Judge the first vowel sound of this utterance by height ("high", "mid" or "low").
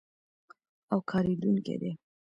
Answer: low